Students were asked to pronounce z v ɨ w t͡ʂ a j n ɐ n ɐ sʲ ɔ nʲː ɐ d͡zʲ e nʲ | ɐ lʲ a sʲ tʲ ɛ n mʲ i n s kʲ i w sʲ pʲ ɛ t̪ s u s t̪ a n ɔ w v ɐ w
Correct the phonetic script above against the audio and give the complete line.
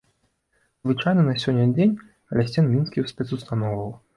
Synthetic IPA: z v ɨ t͡ʂ a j n ɐ n ɐ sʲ ɔ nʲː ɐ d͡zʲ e nʲ | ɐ lʲ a sʲ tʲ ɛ n mʲ i n s kʲ i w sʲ pʲ ɛ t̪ s u s t̪ a n ɔ w v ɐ w